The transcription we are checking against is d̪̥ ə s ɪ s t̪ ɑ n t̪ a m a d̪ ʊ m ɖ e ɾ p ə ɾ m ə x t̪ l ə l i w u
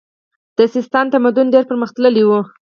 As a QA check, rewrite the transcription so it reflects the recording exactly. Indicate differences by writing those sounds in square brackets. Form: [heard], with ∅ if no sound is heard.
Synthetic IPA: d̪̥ ə s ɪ s t̪ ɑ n t̪ a m a d̪ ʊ [n] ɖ e ɾ p ə ɾ m ə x t̪ l ə l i w u